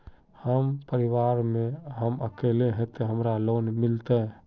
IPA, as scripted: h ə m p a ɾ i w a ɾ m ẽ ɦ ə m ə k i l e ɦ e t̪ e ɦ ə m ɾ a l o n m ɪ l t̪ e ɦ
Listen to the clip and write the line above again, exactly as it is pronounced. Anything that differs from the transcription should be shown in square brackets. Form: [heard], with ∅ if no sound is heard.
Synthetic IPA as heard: h ə m p [ə] ɾ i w a ɾ m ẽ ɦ ə m ə k [e] l e ɦ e t̪ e ɦ ə m ɾ a l o n m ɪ l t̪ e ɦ